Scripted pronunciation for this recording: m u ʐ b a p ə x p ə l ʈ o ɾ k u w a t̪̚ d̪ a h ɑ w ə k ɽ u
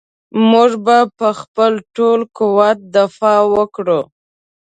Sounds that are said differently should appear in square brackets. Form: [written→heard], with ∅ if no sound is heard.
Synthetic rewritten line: m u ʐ b a p ə x p ə l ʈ o [ɾ→l] k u w a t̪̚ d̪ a [h→f] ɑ w ə k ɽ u